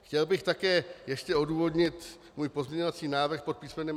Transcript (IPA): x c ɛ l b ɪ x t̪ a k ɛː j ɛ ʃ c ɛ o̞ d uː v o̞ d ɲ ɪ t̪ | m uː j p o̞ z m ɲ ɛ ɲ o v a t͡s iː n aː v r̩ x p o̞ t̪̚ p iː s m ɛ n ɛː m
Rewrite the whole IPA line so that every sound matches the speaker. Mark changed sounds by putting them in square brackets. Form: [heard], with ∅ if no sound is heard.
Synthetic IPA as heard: x c ɛ l b ɪ x t̪ a k ɛː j ɛ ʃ c ɛ o̞ d uː v o̞ d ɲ ɪ t̪ | m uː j p o̞ z m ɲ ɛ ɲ o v a t͡s iː n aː v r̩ x p o̞ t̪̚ p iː s m ɛ n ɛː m